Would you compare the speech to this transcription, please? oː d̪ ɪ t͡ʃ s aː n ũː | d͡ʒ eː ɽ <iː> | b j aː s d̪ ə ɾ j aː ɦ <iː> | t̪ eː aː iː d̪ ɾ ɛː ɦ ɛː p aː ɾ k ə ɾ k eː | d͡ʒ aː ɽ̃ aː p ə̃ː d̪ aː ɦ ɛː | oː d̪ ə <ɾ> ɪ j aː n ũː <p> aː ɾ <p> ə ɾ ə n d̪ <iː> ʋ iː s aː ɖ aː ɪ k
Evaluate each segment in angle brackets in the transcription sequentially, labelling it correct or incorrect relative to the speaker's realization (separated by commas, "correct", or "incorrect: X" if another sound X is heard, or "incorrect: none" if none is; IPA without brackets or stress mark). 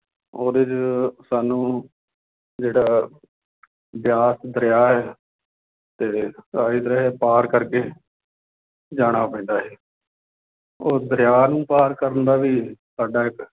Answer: incorrect: aː, incorrect: ɛː, correct, correct, incorrect: k, incorrect: aː